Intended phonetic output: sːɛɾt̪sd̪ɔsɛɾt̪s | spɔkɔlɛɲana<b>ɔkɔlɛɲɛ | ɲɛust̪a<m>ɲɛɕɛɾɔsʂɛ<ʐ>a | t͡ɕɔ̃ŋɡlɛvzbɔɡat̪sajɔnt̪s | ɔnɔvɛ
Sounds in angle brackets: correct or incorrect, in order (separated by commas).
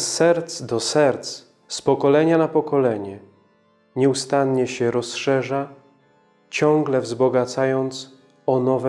incorrect, incorrect, correct